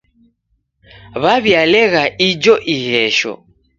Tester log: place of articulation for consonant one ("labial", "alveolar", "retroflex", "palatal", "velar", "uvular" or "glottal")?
labial